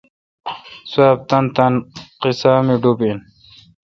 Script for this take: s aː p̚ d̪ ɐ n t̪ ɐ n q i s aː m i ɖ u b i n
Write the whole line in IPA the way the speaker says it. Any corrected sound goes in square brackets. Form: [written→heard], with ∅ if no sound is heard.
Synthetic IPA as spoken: s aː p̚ [d̪→t̪] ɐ n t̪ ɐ n q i s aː m i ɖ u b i n

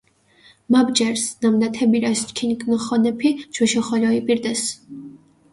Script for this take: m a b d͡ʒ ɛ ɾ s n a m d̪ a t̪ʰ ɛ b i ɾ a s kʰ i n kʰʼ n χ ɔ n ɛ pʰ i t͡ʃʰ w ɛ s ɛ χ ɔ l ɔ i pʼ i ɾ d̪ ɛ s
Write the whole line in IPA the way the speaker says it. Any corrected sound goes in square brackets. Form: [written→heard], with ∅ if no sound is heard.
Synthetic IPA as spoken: m a b d͡ʒ ɛ ɾ s n a m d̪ a t̪ʰ ɛ b i ɾ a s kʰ i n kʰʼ n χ ɔ n ɛ pʰ i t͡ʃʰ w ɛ [s→ʃ] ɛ χ ɔ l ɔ i pʼ i ɾ d̪ ɛ s

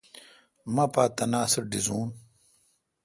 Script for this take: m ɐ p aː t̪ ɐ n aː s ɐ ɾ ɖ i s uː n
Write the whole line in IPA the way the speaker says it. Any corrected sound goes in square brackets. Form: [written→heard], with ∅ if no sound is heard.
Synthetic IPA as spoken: m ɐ p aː t̪ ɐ n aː s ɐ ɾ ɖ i [s→z] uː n

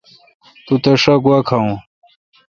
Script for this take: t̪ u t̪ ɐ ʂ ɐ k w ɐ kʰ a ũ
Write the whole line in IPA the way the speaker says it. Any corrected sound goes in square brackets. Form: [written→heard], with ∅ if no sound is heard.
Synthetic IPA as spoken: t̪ u t̪ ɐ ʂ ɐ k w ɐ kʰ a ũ

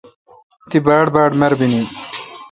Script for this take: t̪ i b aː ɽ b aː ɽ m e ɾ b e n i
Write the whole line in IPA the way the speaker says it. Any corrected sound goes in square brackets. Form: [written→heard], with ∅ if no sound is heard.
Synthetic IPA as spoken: t̪ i b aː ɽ b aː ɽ m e ɾ b [e→i] n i

